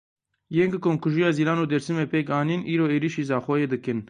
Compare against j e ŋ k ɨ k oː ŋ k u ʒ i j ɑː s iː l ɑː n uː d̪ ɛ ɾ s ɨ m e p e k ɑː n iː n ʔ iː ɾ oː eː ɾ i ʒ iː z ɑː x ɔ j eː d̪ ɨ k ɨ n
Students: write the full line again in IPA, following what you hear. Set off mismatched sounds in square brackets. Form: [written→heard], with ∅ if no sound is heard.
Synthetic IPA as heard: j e ŋ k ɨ k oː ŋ k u ʒ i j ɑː [s→z] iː l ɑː n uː d̪ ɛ ɾ s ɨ m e p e k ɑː n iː n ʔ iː ɾ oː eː ɾ i [ʒ→ʃ] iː z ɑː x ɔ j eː d̪ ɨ k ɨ n